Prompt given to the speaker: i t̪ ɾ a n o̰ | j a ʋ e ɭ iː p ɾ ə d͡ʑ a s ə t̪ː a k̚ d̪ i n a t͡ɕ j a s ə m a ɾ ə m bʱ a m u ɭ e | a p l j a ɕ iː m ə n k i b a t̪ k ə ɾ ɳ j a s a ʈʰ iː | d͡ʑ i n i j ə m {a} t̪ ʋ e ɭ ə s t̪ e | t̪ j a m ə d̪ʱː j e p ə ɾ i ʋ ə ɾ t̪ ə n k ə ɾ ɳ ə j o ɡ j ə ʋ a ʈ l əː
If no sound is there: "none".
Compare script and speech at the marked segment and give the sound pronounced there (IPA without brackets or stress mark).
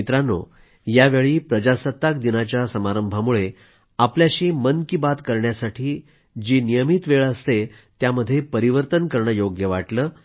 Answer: i